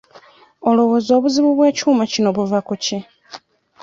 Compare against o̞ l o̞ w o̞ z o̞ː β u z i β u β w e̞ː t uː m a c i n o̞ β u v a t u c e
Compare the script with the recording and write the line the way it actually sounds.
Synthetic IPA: o̞ l o̞ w o̞ z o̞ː β u z i β u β w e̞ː c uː m a c i n o̞ β u v a k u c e